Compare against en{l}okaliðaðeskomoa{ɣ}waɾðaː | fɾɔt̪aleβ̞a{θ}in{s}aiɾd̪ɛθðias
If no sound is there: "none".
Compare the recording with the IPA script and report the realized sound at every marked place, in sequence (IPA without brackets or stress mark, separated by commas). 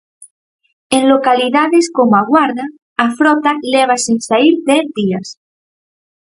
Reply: l, ɣ, s, s